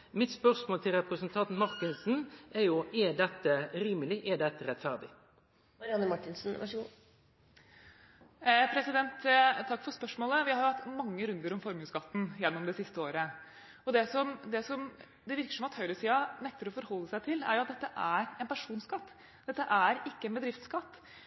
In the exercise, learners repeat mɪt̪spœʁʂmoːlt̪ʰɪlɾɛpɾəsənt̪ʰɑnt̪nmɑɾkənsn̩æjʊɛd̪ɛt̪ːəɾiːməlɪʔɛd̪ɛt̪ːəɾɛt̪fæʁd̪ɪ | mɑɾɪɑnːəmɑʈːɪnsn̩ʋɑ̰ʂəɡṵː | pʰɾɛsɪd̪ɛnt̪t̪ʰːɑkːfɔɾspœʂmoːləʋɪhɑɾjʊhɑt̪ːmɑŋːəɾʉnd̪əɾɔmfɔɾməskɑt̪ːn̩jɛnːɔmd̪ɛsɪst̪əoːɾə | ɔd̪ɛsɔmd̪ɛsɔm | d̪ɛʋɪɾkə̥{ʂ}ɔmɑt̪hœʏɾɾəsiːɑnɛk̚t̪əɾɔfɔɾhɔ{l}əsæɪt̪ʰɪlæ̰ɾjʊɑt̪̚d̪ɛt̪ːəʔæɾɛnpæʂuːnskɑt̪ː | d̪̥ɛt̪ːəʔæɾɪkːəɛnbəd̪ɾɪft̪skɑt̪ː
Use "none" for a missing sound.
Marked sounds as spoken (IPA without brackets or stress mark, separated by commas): ʂ, lː